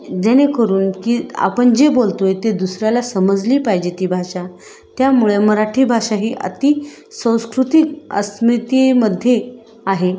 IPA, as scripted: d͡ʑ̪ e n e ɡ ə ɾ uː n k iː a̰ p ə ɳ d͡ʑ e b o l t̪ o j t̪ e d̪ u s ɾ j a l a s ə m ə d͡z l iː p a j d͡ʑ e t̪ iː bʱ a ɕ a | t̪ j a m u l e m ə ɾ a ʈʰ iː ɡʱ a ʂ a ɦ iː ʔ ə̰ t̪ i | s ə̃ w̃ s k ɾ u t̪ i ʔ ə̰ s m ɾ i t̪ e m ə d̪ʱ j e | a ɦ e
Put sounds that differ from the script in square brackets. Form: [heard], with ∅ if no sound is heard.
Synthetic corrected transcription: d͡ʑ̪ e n e [k] ə ɾ uː n k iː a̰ p ə ɳ d͡ʑ e b o l t̪ o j t̪ e d̪ u s ɾ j a l a s ə m ə d͡z l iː p a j d͡ʑ e t̪ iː bʱ a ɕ a | t̪ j a m u [ɭ] e m ə ɾ a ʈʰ iː [bʱ] a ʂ a ɦ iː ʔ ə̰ t̪ i | s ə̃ w̃ s k ɾ u t̪ i [k] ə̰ s m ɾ i t̪ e m ə d̪ʱ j e | a ɦ e